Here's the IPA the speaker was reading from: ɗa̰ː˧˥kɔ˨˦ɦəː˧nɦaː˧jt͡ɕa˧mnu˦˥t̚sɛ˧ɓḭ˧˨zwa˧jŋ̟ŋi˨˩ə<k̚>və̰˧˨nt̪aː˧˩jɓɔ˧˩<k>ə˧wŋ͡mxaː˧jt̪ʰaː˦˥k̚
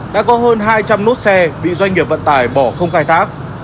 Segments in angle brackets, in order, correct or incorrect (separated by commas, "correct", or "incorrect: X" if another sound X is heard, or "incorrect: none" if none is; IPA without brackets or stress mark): incorrect: p̚, incorrect: x